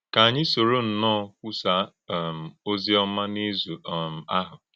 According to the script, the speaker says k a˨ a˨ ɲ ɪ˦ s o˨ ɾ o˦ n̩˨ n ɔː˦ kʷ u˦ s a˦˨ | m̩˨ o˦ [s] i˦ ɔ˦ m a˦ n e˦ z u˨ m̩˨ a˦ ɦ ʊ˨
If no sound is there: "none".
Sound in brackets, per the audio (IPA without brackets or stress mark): z